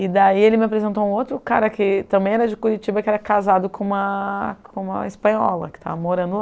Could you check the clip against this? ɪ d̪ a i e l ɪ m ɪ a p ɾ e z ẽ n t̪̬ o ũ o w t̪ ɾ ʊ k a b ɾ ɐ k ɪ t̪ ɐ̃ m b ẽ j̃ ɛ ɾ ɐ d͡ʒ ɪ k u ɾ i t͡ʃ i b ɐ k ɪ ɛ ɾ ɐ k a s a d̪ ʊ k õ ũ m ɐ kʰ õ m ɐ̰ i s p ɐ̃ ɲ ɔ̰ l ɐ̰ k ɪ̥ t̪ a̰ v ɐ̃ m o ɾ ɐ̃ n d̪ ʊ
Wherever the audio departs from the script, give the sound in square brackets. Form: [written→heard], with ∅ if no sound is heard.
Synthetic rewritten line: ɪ d̪ a i e l ɪ m ɪ a p ɾ e z ẽ n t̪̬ o ũ o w t̪ ɾ ʊ k a [b→∅] ɾ ɐ k ɪ t̪ ɐ̃ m b ẽ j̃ ɛ ɾ ɐ d͡ʒ ɪ k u ɾ i t͡ʃ i b ɐ k ɪ ɛ ɾ ɐ k a [s→z] a d̪ ʊ k õ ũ m ɐ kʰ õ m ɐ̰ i s p ɐ̃ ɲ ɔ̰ l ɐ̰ k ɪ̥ t̪ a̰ v [ɐ̃→ɐ] m o ɾ ɐ̃ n d̪ ʊ